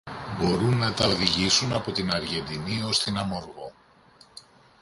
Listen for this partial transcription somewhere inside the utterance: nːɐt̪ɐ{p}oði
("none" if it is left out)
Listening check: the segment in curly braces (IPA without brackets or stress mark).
none